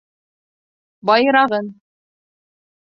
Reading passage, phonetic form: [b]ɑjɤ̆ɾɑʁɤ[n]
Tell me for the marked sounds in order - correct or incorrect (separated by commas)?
correct, correct